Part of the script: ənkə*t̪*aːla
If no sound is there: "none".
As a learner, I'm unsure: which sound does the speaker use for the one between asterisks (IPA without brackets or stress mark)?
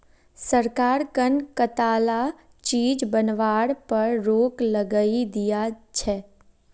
t̪